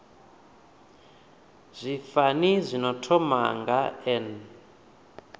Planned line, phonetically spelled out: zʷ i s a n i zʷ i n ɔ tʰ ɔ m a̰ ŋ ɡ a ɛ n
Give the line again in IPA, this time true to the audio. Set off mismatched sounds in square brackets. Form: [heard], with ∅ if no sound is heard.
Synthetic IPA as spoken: zʷ i [f] a n i zʷ i n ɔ tʰ ɔ m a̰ ŋ ɡ a ɛ n